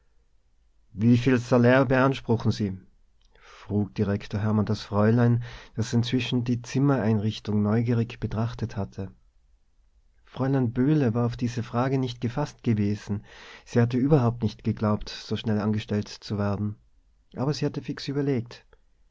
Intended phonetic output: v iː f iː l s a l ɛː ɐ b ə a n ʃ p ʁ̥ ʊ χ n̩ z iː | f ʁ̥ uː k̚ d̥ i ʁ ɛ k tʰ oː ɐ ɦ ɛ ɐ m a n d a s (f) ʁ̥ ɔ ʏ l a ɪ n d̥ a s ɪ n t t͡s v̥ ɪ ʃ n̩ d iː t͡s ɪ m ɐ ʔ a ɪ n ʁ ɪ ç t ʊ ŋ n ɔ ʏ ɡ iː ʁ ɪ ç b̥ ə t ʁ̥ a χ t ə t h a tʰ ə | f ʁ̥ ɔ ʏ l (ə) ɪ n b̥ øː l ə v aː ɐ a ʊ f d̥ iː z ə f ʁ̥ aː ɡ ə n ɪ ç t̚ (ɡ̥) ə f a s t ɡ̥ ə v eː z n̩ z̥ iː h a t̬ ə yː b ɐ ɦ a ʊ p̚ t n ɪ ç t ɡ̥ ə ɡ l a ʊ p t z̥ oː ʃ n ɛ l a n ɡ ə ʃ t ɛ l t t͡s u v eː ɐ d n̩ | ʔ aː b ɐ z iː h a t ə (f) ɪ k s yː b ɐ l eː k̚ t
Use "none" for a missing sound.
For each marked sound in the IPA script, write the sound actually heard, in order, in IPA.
f, a, ɡ̥, f

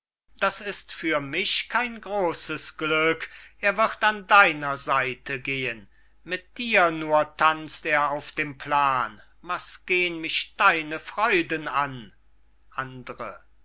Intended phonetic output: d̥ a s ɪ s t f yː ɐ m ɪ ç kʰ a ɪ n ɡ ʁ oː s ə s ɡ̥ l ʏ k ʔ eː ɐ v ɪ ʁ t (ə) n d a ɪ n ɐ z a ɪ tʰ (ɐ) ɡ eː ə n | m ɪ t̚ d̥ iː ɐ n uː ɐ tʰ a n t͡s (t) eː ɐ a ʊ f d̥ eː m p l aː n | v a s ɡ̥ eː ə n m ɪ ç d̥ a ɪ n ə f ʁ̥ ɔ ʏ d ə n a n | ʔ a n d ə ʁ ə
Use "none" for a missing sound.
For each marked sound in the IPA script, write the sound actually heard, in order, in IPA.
a, ə, t

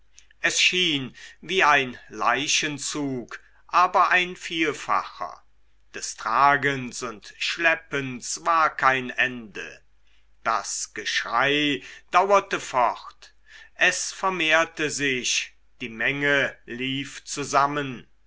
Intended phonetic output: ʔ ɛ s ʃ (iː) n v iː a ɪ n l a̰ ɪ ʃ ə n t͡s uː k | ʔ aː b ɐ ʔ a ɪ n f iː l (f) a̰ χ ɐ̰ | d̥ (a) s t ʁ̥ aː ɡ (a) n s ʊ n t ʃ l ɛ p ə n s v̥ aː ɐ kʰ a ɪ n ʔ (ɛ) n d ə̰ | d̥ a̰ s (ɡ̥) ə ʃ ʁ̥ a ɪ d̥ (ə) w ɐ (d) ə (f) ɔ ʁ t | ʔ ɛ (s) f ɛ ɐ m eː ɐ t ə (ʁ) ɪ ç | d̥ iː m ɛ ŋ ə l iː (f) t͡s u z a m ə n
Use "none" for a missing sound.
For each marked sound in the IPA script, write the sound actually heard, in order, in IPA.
iː, f, ɛ, ə, ɛ, ɡ̥, a, t, f, s, z, f

